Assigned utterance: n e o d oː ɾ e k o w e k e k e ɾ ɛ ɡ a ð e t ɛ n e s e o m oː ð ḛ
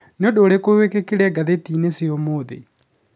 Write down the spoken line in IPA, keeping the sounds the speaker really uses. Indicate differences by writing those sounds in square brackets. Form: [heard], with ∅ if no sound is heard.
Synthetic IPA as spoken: n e o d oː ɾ e k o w e k e k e ɾ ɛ ɡ a ð e t [i] n e s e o m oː ð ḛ